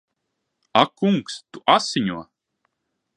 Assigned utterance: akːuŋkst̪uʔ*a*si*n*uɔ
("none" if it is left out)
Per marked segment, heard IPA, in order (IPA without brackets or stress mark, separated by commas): a, ɲ